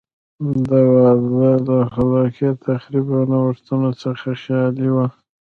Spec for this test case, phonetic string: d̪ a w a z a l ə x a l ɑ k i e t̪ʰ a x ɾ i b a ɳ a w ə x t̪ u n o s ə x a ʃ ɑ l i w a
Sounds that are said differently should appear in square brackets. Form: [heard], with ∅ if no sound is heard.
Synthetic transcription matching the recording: d̪ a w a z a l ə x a l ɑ k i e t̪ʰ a x ɾ i b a [n] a w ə [ʂ] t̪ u n o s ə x a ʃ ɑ l i w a